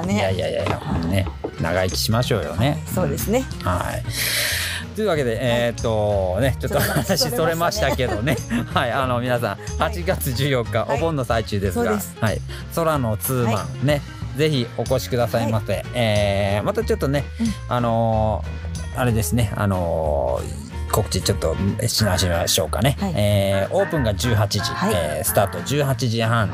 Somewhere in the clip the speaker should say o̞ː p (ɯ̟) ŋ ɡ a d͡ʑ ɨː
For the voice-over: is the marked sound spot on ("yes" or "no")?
no